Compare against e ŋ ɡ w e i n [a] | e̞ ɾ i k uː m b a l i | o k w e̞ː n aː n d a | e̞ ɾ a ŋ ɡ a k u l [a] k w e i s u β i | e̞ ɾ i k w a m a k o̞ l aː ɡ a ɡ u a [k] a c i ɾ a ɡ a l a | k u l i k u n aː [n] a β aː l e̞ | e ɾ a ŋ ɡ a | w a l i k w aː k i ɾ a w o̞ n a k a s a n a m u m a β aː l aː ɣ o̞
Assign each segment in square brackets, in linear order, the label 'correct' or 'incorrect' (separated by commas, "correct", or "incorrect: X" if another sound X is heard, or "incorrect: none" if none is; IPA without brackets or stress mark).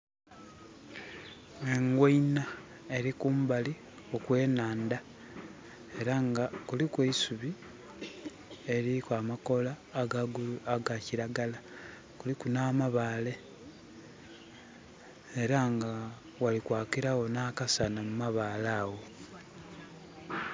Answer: correct, incorrect: i, incorrect: ɡ, incorrect: m